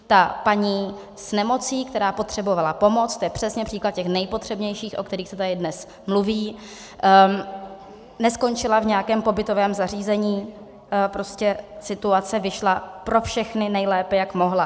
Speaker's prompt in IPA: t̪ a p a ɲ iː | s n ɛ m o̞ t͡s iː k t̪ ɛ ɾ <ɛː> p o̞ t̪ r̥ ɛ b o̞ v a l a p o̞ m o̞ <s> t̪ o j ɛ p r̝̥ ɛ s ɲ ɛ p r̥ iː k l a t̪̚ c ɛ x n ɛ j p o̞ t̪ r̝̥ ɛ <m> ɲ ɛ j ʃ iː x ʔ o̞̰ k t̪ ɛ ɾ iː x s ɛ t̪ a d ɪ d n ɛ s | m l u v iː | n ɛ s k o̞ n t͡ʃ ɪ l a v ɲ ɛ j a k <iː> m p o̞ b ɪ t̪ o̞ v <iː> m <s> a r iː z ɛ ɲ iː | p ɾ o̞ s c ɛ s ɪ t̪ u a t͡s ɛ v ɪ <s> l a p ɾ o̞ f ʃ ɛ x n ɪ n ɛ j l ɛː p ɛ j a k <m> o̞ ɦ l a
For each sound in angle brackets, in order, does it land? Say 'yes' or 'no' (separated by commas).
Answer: no, no, no, no, no, no, no, yes